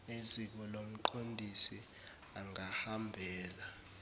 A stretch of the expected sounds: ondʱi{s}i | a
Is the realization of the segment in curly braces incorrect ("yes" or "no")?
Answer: no